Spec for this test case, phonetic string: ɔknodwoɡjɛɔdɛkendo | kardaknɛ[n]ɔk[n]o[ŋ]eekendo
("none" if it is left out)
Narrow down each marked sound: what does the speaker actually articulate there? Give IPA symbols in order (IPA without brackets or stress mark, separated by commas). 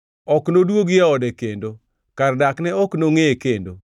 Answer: none, n, ŋ